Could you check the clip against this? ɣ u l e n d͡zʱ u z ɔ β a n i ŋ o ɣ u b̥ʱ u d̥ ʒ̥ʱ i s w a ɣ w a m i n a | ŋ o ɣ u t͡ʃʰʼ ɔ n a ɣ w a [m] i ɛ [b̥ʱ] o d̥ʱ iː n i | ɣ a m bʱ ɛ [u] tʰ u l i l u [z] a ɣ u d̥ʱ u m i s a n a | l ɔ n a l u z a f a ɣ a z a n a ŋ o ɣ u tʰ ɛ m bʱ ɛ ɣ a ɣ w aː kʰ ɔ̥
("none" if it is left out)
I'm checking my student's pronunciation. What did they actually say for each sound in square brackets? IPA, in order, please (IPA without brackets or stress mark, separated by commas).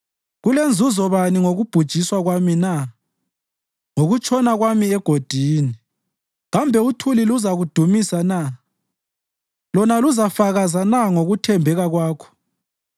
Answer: m, ɡ̥ʱ, u, z